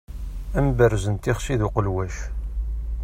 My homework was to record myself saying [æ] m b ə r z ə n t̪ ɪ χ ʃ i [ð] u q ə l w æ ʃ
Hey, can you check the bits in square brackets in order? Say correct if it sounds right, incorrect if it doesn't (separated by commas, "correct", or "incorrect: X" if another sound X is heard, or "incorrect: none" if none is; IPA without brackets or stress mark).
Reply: correct, correct